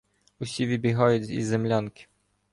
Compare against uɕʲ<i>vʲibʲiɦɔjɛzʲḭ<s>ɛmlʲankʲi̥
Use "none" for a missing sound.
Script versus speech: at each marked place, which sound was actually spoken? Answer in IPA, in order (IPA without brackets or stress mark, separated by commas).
i, z